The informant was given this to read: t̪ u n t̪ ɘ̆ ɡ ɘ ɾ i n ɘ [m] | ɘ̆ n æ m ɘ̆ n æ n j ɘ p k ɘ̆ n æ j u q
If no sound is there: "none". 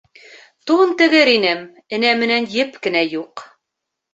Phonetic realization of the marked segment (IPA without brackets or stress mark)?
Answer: m